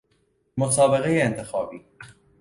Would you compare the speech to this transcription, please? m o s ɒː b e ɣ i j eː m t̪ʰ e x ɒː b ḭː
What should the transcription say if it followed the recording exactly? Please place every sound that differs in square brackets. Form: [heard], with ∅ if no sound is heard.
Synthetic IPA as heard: m o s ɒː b e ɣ [e] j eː [n] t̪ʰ e x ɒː b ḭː